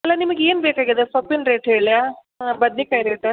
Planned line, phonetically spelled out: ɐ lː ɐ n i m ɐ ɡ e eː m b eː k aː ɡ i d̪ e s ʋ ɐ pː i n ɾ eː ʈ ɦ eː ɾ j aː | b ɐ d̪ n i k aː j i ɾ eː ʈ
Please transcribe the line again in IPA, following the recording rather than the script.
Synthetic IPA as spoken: ɐ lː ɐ n i m ɐ ɡ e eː n b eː k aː ɡ i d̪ e s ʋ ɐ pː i n ɾ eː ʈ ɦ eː ɭ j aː | b ɐ d̪ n i k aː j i ɾ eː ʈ